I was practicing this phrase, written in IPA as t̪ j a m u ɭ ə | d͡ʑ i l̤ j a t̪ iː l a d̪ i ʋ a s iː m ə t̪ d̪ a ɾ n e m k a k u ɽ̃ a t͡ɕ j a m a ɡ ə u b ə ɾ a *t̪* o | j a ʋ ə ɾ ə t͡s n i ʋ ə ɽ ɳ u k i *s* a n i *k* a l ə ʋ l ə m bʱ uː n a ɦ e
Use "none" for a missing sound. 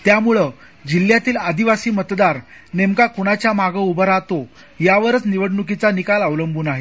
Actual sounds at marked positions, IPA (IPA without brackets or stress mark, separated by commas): t̪, t͡s, k